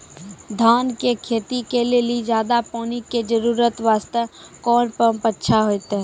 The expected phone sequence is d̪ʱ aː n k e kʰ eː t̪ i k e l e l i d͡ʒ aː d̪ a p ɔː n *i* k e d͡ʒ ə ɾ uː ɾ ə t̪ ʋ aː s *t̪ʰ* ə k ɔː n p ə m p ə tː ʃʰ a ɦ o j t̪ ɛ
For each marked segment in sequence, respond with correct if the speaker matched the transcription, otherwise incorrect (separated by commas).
correct, incorrect